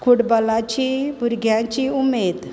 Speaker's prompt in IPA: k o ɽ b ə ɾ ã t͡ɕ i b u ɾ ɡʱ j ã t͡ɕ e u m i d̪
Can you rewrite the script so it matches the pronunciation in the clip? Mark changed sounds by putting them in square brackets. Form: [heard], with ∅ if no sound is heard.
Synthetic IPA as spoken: k [u] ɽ b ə [l] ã t͡ɕ i b u ɾ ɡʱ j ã t͡ɕ [i] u m [e] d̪